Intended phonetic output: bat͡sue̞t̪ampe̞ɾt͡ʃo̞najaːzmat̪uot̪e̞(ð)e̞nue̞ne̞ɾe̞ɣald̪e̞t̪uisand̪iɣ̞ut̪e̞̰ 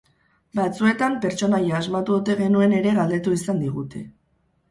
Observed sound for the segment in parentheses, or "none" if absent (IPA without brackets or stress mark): ɣ